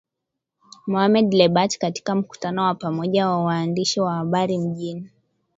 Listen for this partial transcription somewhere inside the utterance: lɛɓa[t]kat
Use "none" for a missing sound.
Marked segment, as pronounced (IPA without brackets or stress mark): t